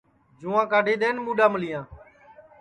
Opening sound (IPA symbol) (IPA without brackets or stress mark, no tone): d͡ʒ